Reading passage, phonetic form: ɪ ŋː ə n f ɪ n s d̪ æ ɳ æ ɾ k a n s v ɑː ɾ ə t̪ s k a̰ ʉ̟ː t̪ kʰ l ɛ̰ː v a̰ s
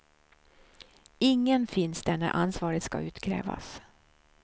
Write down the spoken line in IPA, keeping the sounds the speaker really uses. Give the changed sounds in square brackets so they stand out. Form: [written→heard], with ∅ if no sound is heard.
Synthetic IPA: ɪ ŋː ə n f ɪ n s d̪ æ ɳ æ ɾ [k→ʔ] a n s v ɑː ɾ ə t̪ s k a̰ ʉ̟ː t̪ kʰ [l→ɾ] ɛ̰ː v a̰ s